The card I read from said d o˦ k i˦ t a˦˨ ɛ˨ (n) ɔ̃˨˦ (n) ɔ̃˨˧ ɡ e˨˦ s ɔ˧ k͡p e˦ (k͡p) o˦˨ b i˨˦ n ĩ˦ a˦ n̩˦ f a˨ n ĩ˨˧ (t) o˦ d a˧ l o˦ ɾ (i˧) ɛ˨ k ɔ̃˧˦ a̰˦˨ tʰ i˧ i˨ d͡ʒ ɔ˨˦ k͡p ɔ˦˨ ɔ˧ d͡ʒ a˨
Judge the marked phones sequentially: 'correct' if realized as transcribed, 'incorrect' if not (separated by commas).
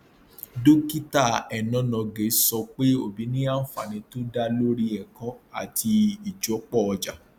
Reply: correct, correct, incorrect, correct, correct